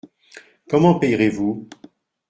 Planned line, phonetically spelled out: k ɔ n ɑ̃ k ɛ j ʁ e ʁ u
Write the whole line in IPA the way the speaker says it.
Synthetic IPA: k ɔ m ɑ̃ p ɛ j ʁ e v u